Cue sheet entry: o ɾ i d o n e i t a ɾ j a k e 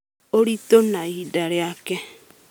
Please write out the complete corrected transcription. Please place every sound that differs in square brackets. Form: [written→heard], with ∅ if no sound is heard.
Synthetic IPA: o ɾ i [d→t] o n [e→a] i [t→d] a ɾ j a k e